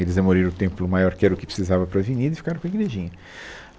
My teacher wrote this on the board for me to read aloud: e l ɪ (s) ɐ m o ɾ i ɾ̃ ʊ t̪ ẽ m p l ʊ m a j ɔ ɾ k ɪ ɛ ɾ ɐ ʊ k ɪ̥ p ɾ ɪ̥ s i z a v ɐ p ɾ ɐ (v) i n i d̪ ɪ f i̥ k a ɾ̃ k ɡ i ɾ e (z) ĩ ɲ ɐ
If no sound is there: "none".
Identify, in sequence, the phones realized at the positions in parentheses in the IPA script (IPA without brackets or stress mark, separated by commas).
z, v, ʒ